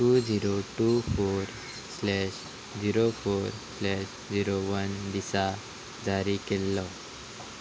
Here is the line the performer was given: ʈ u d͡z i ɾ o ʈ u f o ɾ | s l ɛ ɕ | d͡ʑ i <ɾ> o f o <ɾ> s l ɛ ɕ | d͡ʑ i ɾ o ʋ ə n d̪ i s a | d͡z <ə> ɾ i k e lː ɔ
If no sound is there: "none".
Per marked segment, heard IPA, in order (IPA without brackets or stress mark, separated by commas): ɾ, ɾ, a